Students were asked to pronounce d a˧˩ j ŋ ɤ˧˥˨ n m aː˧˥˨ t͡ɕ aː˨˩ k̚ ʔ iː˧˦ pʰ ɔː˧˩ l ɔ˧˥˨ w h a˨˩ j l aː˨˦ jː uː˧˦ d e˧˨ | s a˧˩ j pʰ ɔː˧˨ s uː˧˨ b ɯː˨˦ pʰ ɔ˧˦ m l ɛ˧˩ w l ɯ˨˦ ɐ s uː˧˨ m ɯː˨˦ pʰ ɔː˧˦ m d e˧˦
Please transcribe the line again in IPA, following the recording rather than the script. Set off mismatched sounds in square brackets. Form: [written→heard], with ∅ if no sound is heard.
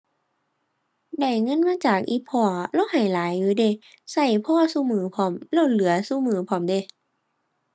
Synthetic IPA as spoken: d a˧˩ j ŋ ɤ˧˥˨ n m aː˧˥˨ t͡ɕ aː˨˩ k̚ ʔ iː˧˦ pʰ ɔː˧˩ l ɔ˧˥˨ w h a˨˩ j l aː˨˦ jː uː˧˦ d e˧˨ | s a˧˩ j pʰ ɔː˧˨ s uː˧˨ [b→m] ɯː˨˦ pʰ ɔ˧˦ m l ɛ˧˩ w l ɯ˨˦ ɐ s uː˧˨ m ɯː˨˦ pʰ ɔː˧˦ m d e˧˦

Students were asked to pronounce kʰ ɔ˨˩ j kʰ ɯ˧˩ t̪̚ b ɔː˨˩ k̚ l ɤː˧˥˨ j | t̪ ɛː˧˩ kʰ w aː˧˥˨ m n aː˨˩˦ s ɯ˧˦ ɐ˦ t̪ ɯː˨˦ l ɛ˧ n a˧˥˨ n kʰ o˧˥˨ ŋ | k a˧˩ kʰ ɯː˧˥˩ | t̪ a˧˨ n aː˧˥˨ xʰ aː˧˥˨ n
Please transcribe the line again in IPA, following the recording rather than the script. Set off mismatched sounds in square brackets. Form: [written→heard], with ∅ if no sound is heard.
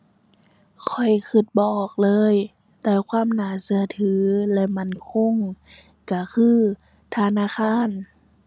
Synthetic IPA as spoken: kʰ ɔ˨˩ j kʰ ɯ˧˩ t̪̚ b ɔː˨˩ k̚ l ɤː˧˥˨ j | t̪ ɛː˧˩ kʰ w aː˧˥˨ m n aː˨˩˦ s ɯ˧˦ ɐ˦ [t̪→t̪ʰ] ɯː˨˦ l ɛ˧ [n→m] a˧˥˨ n kʰ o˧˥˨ ŋ | k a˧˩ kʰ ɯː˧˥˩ | [t̪→t̪ʰ] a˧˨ n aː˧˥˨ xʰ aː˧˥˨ n

